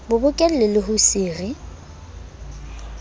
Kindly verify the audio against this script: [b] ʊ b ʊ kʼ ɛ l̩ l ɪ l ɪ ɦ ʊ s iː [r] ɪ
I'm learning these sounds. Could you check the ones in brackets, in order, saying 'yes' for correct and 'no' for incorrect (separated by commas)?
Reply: yes, yes